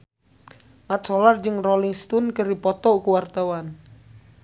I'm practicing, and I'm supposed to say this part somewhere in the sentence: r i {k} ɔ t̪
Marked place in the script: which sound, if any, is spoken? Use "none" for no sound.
p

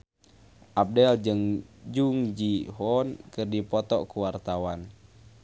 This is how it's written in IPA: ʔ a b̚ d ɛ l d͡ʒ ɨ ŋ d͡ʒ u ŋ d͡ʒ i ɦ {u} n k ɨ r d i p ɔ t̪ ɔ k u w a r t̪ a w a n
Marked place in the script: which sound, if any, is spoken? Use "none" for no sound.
ɔ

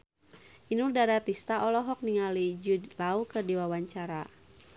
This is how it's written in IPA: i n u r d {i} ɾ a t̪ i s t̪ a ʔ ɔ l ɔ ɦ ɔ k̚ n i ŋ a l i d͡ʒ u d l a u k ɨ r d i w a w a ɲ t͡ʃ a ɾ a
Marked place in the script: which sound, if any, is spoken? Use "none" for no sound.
a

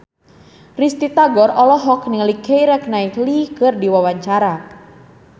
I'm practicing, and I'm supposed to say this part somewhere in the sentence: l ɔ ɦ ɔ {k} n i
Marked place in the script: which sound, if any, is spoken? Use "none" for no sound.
k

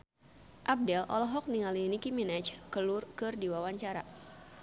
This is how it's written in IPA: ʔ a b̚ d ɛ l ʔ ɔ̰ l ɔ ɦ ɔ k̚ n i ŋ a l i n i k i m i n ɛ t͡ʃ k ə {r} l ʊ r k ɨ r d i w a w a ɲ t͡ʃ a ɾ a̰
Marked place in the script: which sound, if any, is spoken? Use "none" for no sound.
none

